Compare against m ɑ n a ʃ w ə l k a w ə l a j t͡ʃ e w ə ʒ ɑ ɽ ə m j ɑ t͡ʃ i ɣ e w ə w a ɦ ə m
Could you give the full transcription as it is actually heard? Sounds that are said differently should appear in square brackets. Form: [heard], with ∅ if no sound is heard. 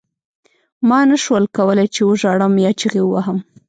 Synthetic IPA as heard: m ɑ n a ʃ w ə l k a w ə l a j t͡ʃ e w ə ʒ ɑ ɽ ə m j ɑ t͡ʃ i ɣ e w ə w a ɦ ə m

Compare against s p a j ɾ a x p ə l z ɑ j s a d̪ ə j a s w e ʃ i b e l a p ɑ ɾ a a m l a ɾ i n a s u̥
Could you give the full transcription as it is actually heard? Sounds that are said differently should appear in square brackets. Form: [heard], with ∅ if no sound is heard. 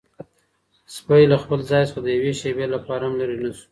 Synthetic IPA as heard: s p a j [l] a x p ə l z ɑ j s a d̪ ə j a [∅] w e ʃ [e] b e l a p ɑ ɾ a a m l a ɾ i n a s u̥

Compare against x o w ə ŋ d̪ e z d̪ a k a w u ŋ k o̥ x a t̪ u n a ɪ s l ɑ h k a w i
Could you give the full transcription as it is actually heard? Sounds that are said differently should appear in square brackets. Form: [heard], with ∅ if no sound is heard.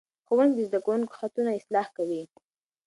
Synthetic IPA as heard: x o w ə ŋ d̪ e z d̪ a k a w u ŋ k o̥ x a t̪ u n a ɪ s l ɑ h k a w i

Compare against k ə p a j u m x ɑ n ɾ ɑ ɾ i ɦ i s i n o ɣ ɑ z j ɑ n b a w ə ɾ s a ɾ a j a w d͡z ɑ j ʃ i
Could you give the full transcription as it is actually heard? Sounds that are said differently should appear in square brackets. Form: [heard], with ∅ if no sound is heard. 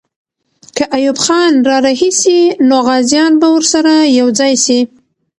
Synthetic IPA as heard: k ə [ʔ] a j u [b] x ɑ n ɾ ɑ ɾ [a] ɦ i s i n o ɣ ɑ z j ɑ n b a w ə ɾ s a ɾ a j a w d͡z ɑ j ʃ i

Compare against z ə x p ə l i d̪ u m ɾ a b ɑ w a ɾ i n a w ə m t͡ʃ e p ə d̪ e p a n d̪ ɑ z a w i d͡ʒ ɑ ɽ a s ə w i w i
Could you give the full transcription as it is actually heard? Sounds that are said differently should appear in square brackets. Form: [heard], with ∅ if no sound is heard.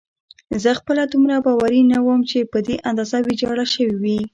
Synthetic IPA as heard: z ə x p ə l [a] d̪ u m ɾ a b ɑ w a ɾ i n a w ə m t͡ʃ e p ə d̪ e [ʔ] a n d̪ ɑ z a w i d͡ʒ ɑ ɽ a [ʃ] ə w i w i

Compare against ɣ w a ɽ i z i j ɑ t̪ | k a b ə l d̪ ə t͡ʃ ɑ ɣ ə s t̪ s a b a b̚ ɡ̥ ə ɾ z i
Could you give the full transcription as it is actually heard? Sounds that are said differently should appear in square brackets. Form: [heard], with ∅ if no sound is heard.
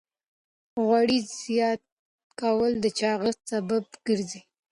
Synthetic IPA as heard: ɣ w a ɽ i z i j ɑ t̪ | k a [w] ə l d̪ ə t͡ʃ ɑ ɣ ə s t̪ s a b a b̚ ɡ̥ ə ɾ z i

